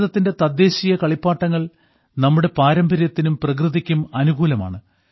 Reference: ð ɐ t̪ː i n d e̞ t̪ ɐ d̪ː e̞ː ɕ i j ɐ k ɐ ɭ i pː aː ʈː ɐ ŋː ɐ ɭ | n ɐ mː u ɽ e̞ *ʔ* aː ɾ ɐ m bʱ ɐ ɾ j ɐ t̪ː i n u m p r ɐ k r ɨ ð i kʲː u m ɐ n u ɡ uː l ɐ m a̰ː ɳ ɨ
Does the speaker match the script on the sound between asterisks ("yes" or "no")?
no